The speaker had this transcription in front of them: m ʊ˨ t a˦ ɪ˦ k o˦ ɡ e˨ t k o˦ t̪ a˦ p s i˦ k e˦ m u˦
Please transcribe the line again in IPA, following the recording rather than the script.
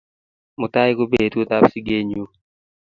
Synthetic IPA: m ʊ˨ t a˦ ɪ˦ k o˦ b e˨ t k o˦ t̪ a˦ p s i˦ ɡ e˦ ɲ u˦